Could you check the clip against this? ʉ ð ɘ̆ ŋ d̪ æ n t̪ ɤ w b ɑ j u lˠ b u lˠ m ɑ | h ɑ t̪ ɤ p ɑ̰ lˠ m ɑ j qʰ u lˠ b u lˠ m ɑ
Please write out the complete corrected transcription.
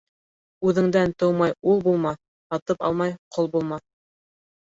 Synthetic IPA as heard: ʉ ð ɘ̆ ŋ d̪ æ n t̪ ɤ w m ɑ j u lˠ b u lˠ m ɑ | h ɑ t̪ ɤ p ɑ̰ lˠ m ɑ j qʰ o lˠ b u lˠ m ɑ